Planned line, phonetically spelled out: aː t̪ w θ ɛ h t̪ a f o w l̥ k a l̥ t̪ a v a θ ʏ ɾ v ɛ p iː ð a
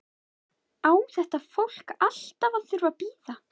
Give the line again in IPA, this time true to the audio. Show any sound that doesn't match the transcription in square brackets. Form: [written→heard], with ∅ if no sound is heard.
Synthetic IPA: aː [t̪→∅] w θ ɛ h t̪ a f o w l̥ k a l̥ t̪ a v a θ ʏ ɾ v [ɛ→a] p iː ð a